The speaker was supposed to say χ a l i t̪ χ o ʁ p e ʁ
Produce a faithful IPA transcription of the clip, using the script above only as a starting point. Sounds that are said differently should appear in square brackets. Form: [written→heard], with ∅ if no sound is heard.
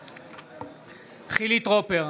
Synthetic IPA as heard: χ [a→i] l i t̪ [χ→ʁ] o [ʁ→∅] p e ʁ